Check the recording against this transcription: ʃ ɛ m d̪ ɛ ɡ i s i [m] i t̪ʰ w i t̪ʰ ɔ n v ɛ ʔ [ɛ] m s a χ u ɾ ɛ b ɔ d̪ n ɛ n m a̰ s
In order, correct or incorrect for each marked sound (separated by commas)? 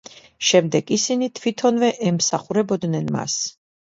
incorrect, correct